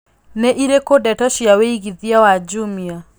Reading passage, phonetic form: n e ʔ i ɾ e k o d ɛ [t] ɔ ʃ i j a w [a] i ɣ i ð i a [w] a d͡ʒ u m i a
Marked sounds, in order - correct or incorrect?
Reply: correct, incorrect: e, correct

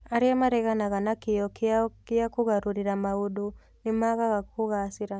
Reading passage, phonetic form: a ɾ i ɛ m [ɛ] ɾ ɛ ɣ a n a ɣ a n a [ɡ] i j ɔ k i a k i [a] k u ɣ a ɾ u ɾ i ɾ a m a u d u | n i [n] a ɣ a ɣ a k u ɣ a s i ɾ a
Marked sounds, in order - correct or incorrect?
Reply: incorrect: a, incorrect: k, correct, incorrect: m

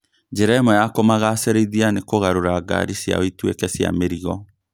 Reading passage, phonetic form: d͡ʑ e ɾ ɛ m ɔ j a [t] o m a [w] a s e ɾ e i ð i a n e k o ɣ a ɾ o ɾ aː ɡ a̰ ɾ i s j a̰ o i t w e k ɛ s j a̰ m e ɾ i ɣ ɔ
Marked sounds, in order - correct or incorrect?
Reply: incorrect: k, incorrect: ɣ

